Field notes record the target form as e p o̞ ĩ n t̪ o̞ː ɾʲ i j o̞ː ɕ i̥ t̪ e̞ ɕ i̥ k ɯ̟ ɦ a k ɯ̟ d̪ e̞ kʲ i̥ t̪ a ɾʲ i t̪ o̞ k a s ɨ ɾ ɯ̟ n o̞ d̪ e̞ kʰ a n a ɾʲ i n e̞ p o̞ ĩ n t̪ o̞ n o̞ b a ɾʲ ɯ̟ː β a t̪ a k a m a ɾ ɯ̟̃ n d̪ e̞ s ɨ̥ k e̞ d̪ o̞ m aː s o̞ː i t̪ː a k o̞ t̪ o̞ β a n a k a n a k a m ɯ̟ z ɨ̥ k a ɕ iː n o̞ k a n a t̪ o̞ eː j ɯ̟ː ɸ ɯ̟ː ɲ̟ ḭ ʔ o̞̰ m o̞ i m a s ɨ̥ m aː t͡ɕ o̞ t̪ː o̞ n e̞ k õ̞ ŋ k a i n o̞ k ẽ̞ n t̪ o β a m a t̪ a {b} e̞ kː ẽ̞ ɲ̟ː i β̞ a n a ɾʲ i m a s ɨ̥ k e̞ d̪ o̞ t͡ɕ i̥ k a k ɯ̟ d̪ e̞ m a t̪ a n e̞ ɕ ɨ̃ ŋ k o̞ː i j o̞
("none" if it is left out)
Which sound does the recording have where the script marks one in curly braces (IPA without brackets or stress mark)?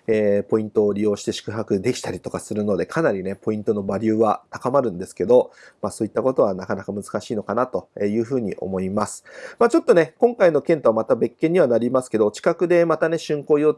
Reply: b